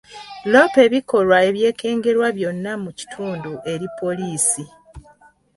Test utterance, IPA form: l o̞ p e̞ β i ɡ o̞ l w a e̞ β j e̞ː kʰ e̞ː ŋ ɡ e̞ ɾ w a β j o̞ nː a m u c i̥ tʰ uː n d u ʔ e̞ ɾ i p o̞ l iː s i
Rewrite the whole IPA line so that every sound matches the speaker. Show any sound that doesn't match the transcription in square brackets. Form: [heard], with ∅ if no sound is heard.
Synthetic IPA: l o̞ p e̞ β i [k] o̞ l w a e̞ β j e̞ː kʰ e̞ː ŋ ɡ e̞ ɾ w a β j o̞ nː a m u c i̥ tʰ uː n d u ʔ e̞ ɾ i p o̞ l iː s i